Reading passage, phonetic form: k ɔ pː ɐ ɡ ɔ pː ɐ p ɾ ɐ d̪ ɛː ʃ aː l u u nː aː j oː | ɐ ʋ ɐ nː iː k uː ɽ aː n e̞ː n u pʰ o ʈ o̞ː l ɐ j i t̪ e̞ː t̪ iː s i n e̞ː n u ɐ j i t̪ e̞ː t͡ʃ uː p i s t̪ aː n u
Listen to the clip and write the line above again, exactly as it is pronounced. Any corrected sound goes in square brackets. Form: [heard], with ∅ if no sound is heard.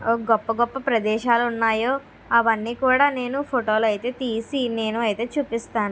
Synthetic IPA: [ɡ] ɔ pː ɐ ɡ ɔ pː ɐ p ɾ ɐ d̪ ɛː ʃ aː l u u nː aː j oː | ɐ ʋ ɐ nː iː k uː ɽ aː n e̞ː n u pʰ o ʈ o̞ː l ɐ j i t̪ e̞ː t̪ iː s i n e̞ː n u ɐ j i t̪ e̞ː t͡ʃ uː p i s t̪ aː n u